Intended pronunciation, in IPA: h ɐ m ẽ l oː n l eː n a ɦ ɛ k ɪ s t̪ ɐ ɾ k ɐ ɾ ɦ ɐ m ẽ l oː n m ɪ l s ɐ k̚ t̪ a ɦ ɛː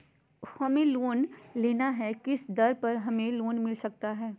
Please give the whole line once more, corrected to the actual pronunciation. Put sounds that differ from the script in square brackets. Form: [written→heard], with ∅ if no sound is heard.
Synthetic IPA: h ɐ m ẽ l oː n l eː n a ɦ ɛ k ɪ s [t̪→d̪] ɐ ɾ [k→p] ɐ ɾ ɦ ɐ m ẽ l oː n m ɪ l s ɐ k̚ t̪ a ɦ ɛː